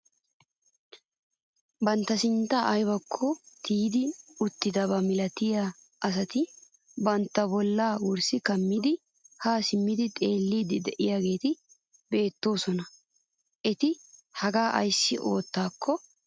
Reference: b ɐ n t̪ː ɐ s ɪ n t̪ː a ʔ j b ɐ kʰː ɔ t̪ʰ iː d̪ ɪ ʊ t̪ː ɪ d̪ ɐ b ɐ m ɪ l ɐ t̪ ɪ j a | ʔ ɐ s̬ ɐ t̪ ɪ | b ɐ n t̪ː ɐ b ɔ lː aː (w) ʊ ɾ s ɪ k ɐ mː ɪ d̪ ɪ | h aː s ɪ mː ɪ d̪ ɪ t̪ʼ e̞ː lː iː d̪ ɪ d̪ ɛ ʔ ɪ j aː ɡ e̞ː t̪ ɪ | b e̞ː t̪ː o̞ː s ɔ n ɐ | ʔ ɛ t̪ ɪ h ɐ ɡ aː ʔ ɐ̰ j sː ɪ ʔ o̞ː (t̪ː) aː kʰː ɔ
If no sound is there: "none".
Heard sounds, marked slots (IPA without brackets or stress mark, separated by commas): w, t̪ː